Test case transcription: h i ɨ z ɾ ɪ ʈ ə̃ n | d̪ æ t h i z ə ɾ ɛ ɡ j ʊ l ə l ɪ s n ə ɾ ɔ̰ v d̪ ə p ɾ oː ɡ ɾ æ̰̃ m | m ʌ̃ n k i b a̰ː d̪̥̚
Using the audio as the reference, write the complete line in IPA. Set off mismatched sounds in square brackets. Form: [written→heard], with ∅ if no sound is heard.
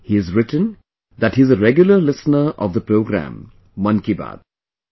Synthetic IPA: h i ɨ z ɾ ɪ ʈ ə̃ n | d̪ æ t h i z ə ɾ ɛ ɡ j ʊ l ə l ɪ s n ə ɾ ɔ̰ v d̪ ə p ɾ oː ɡ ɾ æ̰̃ m | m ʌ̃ n k i b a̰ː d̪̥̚